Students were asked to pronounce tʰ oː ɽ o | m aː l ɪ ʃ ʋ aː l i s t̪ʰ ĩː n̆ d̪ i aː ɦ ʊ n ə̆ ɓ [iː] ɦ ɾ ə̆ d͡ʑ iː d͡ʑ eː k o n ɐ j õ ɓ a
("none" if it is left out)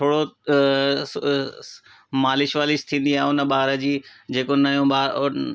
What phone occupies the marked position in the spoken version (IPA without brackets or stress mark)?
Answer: aː